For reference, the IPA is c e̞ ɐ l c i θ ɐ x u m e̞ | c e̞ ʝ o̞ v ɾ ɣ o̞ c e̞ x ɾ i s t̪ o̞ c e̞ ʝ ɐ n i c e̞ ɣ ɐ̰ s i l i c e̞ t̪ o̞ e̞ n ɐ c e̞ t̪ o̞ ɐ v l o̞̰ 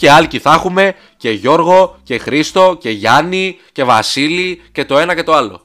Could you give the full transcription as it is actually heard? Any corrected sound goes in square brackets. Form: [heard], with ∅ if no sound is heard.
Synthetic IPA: c e̞ ɐ l c i θ ɐ x u m e̞ | c e̞ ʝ o̞ [∅] ɾ ɣ o̞ c e̞ x ɾ i s t̪ o̞ c e̞ ʝ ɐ n i c e̞ [v] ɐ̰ s i l i c e̞ t̪ o̞ e̞ n ɐ c e̞ t̪ o̞ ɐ [∅] l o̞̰